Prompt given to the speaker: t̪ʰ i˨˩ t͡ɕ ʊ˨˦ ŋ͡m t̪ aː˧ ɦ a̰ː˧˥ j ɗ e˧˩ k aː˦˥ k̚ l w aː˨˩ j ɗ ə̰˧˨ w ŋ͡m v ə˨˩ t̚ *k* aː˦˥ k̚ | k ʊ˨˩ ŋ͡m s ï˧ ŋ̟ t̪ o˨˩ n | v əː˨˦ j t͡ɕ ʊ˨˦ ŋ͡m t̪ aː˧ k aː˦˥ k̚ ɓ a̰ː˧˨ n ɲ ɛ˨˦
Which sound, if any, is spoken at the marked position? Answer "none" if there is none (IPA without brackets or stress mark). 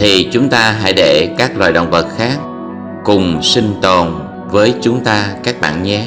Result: x